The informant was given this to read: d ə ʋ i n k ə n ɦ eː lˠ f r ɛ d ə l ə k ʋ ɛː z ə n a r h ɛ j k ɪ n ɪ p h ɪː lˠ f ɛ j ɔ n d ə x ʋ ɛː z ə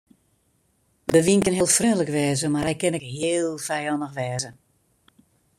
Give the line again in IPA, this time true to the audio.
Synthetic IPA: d ə ʋ i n k ə n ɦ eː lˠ f r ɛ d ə l ə k ʋ ɛː z ə m a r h ɛ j k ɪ n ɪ k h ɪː lˠ f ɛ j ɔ n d ə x ʋ ɛː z ə